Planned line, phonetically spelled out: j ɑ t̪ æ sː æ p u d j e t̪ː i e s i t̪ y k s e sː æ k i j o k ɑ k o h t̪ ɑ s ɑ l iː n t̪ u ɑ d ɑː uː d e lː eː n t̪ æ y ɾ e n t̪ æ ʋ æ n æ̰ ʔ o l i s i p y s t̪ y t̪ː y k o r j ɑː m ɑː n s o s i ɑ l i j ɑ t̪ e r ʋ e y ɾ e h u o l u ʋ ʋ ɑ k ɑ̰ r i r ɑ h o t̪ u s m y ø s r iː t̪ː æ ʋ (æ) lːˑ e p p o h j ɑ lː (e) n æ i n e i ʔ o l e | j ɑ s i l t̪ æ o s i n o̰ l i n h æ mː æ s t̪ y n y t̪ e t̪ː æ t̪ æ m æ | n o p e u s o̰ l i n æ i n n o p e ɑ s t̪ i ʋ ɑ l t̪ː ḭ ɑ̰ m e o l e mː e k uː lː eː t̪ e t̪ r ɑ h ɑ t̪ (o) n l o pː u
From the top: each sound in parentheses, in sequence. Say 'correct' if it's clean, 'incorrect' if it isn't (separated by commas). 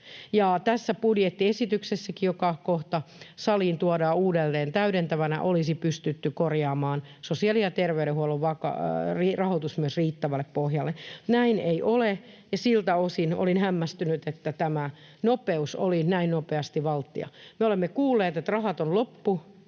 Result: correct, correct, correct